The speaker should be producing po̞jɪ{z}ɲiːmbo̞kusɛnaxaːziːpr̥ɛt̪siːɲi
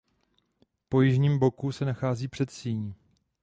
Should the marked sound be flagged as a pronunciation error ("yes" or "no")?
yes